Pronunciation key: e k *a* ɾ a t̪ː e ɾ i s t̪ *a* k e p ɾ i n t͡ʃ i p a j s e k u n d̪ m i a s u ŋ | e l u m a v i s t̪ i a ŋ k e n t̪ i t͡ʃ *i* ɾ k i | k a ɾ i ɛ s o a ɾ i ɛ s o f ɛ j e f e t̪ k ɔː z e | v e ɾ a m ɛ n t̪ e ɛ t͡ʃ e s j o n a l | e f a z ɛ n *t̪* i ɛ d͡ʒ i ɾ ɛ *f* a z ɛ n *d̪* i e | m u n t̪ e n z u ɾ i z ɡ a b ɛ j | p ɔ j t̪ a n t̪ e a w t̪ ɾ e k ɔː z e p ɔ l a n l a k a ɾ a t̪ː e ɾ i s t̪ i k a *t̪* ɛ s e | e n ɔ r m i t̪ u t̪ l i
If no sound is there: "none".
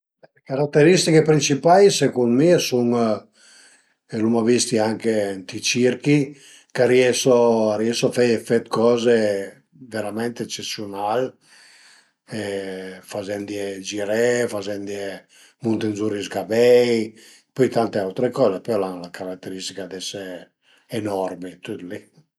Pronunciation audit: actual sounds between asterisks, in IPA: a, i, i, d̪, f, d̪, d̪

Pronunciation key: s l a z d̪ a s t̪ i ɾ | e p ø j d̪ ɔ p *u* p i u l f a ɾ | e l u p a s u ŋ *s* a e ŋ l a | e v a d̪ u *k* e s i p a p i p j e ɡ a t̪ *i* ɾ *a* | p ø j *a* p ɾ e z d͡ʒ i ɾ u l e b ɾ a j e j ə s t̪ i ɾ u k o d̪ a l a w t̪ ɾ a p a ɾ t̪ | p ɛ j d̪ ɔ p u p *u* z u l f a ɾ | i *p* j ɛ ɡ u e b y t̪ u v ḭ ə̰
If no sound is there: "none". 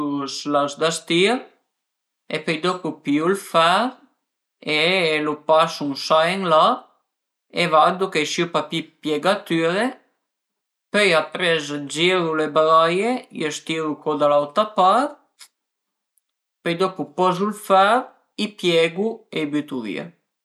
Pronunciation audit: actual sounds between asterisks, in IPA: u, s, k, y, e, a, ɔ, p

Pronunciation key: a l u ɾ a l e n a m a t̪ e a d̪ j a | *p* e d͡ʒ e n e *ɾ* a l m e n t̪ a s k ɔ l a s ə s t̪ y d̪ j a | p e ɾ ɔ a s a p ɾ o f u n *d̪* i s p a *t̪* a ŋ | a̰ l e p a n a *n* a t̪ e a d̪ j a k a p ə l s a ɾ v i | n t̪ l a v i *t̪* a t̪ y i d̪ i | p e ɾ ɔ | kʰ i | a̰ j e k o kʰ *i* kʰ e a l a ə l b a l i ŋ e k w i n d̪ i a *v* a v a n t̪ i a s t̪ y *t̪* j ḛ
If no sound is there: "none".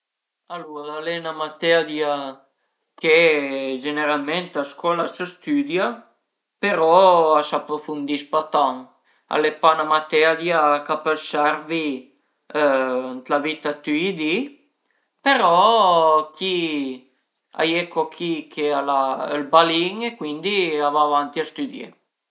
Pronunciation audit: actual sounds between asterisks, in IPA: k, ɾ, d̪, t̪, m, t̪, i, v, d̪

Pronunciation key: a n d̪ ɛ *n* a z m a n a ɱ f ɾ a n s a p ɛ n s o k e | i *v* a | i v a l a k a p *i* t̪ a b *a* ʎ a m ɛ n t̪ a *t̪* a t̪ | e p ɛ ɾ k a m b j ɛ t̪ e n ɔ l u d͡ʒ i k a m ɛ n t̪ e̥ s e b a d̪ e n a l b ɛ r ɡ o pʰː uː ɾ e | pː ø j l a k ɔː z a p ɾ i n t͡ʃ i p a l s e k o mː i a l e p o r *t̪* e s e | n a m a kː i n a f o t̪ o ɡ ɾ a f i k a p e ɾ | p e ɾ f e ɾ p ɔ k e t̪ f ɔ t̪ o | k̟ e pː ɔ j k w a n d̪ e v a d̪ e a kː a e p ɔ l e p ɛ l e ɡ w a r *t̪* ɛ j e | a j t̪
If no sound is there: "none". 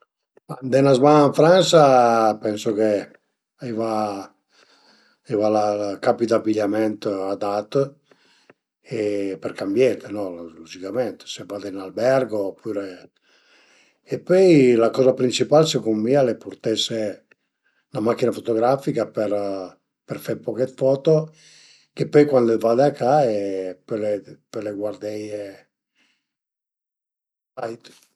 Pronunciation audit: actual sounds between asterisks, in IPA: n, v, i, i, d̪, t̪, d̪

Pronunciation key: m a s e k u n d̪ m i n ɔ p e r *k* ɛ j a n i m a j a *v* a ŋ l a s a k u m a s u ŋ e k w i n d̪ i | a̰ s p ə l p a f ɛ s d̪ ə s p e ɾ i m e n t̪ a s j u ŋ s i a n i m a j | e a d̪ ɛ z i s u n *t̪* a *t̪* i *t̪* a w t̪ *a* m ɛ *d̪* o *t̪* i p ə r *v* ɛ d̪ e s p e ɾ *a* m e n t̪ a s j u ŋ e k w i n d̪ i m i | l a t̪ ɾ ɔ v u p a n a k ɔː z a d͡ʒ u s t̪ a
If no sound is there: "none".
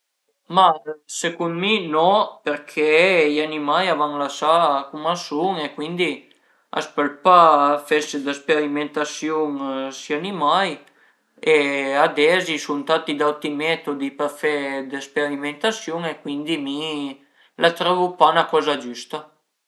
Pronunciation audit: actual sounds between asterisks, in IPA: kʰ, v, t̪, t̪, d̪, i, t̪, d̪, f, i

